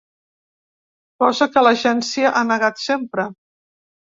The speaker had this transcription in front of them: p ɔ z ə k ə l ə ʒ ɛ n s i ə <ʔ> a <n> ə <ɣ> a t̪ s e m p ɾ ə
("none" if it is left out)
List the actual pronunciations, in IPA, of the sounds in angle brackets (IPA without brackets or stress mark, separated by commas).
ʔ, n, ɣ